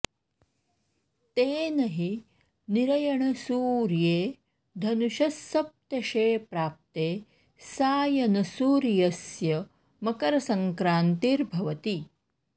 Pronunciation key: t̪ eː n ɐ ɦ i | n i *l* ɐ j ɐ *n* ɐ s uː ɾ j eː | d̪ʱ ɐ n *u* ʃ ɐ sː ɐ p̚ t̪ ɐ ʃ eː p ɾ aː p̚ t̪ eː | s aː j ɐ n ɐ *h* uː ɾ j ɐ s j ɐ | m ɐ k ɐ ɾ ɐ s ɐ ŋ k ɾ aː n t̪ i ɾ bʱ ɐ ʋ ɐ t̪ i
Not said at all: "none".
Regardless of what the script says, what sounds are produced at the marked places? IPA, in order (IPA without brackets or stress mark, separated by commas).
ɾ, ɳ, u, s